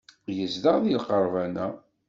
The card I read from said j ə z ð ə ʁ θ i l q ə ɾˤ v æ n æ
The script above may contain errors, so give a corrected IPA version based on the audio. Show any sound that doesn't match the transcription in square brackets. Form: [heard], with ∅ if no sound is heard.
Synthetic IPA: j ə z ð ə ʁ [ð] i l q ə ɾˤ v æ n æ